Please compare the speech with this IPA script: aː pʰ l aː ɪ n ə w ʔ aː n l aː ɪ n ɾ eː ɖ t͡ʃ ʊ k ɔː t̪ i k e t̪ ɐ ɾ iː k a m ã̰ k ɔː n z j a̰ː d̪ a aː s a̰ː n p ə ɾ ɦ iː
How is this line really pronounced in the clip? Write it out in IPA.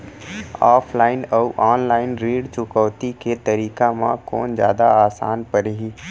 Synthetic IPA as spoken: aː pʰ l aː ɪ n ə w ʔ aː n l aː ɪ n ɾ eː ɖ t͡ʃ ʊ k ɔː t̪ i k e t̪ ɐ ɾ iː k a m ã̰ k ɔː n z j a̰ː d̪ a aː s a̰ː n p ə ɾ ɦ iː